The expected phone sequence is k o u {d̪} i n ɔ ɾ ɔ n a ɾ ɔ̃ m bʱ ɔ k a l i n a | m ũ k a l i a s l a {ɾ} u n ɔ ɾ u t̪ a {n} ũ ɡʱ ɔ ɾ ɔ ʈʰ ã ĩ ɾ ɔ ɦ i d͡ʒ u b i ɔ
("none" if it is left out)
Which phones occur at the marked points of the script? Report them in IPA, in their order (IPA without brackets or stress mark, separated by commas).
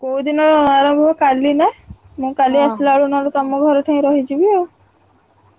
d̪, ɭ, m